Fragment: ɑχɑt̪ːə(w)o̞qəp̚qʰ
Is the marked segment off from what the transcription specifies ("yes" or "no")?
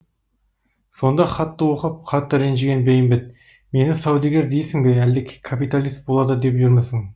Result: no